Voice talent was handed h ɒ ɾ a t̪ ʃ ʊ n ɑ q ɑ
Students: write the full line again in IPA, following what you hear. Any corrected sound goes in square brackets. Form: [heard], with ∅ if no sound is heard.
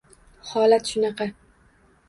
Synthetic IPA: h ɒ [l] a t̪ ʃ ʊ n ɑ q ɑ